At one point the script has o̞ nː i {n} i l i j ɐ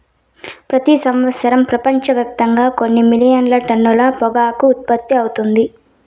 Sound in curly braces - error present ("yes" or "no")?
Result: yes